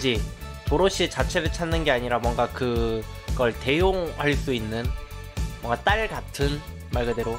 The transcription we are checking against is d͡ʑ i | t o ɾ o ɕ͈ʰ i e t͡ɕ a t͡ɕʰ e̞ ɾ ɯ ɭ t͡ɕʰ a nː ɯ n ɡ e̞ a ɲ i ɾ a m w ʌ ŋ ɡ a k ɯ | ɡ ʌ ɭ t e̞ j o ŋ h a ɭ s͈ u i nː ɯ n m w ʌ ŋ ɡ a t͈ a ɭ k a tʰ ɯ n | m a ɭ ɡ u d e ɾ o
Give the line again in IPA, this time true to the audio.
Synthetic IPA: d͡ʑ i | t o ɾ o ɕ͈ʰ i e t͡ɕ a t͡ɕʰ e̞ ɾ ɯ ɭ t͡ɕʰ a nː ɯ n ɡ e̞ a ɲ i ɾ a m w ʌ ŋ ɡ a k ɯ | ɡ ʌ ɭ t e̞ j o ŋ h a ɭ s͈ u i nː ɯ n m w ʌ ŋ ɡ a t͈ a ɭ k a tʰ ɯ n | m a ɭ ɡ ɯ d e ɾ o

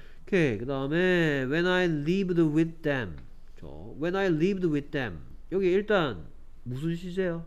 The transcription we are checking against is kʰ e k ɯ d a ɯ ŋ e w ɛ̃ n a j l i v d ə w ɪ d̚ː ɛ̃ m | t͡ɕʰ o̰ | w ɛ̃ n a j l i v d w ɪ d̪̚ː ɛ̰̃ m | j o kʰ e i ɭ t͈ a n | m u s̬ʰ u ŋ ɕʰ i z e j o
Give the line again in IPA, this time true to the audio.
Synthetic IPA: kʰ e k ɯ d a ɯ m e w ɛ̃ n a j l i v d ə w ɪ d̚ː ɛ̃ m | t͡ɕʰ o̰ | w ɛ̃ n a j l i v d w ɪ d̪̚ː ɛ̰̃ m | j o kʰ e i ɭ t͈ a n | m u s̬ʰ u n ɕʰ i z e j o

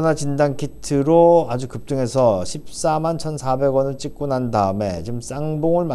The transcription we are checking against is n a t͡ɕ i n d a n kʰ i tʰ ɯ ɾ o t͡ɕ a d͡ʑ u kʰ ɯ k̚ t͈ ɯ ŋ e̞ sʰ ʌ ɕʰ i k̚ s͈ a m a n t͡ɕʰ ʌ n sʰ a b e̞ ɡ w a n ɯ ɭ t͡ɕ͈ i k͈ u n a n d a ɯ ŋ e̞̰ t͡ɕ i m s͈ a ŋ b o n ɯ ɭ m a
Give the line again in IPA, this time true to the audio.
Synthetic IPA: n a t͡ɕ i n d a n kʰ i tʰ ɯ ɾ o a d͡ʑ u k ɯ p̚ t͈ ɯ ŋ e̞ sʰ ʌ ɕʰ i p̚ s͈ a m a n t͡ɕʰ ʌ n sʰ a b e̞ ɡ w ʌ n ɯ ɭ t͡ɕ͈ i k͈ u n a n d a ɯ m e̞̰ t͡ɕ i m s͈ a ŋ b o ŋ ɯ ɭ m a

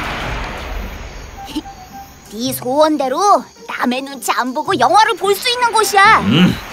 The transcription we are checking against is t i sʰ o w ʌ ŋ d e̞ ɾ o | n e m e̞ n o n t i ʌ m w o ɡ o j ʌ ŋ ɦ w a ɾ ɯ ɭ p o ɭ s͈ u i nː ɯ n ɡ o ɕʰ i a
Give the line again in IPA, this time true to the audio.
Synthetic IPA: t i sʰ o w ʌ n d e̞ ɾ o | n a m e̞ n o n t͡ɕʰ i a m b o ɡ o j ʌ ŋ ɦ w a ɾ ɯ ɭ p o ɭ s͈ u i nː ɯ n ɡ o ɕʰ i a

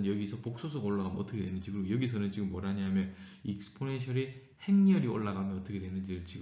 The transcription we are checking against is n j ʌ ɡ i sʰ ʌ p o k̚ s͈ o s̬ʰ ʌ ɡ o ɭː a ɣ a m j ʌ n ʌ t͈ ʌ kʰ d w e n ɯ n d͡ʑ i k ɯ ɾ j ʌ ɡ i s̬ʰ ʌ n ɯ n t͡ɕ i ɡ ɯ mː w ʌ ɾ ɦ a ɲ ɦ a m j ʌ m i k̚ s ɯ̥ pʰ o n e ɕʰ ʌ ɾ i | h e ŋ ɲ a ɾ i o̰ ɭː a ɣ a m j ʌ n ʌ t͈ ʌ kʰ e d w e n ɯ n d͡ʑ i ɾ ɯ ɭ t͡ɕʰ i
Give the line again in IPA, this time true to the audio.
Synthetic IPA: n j ʌ ɡ i sʰ ʌ p o k̚ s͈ o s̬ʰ ʌ ɡ o ɭː a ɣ a m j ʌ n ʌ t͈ ʌ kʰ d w e n ɯ n d͡ʑ i k ɯ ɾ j ʌ ɡ i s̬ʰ ʌ n ɯ n t͡ɕ i ɡ ɯ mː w ʌ ɾ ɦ a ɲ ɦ a m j ʌ n i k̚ s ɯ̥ pʰ o n e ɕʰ ʌ ɾ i | h e ŋ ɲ ʌ ɾ i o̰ ɭː a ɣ a m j ʌ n ʌ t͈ ʌ kʰ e d w e n ɯ n d͡ʑ i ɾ ɯ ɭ t͡ɕ i

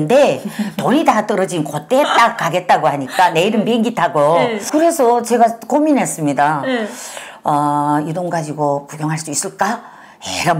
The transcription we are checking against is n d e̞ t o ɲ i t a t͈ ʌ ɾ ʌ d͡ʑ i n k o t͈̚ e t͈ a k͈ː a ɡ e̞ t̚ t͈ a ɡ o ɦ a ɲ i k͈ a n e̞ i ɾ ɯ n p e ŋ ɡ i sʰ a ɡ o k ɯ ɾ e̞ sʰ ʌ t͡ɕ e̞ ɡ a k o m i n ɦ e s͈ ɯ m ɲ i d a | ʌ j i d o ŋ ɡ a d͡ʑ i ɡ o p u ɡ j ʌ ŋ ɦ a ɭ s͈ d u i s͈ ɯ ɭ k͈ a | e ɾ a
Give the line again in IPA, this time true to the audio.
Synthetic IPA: n d e̞ t o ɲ i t a t͈ ʌ ɾ ʌ d͡ʑ i n k o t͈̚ e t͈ a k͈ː a ɡ e̞ t̚ t͈ a ɡ o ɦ a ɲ i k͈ a n e̞ i ɾ ɯ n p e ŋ ɡ i tʰ a ɡ o k ɯ ɾ e̞ sʰ ʌ t͡ɕ e̞ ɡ a k o m i n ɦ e s͈ ɯ m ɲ i d a | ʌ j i d o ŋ ɡ a d͡ʑ i ɡ o p u ɡ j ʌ ŋ ɦ a ɭ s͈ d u i s͈ ɯ ɭ k͈ a | e ɾ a

